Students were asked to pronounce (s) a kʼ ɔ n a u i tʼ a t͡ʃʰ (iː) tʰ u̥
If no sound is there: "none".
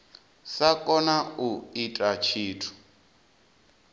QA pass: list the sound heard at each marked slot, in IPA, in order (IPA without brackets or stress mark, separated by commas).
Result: s, iː